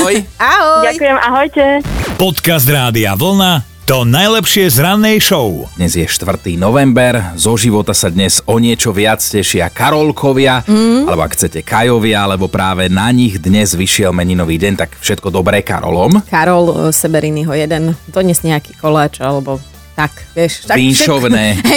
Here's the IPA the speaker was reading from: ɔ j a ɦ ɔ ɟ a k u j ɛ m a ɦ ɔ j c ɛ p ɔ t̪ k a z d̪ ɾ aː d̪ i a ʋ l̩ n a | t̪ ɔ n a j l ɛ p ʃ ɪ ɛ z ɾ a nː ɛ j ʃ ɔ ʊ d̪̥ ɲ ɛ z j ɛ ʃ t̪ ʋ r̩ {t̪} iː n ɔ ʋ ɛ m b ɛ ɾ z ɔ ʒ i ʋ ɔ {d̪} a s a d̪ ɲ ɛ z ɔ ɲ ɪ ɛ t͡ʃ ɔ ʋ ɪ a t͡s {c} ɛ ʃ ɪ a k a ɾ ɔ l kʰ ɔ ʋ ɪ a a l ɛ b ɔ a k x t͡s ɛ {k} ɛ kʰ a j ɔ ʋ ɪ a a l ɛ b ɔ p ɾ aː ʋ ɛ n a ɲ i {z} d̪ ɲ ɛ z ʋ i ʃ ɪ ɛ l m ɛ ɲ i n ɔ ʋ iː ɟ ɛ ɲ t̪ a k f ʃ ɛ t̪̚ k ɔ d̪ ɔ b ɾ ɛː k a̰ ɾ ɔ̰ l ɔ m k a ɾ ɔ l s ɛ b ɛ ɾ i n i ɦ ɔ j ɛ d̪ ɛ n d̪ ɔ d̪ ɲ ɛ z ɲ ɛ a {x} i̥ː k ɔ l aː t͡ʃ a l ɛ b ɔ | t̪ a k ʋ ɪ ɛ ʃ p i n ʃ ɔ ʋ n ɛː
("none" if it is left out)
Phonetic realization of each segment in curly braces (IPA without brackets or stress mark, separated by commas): t̪, t̪, c, c, ɣ, k